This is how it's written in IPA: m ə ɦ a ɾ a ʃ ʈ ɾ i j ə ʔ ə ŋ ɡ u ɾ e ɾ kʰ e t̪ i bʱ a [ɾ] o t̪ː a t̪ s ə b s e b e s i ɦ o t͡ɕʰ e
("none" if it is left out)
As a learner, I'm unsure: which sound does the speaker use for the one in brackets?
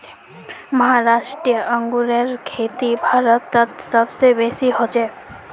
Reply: ɾ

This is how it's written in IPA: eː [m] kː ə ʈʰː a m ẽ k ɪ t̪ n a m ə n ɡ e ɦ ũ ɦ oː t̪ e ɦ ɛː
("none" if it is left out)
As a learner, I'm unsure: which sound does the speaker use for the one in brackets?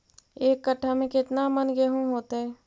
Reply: none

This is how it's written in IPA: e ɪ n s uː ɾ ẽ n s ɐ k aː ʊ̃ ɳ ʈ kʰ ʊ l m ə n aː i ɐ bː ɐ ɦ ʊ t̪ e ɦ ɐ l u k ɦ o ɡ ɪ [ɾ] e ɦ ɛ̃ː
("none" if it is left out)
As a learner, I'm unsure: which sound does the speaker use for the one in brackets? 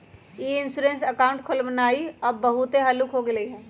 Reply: l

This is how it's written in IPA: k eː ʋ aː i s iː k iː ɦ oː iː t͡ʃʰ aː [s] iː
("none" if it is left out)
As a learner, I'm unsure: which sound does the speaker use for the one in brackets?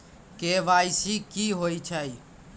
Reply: none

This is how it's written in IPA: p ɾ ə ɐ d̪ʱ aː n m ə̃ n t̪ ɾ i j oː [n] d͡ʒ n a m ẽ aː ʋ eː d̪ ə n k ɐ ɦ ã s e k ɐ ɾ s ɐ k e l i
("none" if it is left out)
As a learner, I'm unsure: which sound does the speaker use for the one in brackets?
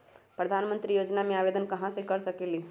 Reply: none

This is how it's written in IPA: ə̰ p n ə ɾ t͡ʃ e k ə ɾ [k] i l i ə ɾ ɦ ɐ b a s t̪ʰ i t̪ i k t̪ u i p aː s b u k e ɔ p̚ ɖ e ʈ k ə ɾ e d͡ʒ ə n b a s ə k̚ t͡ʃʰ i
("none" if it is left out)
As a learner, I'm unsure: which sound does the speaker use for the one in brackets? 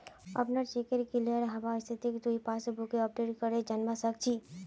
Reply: k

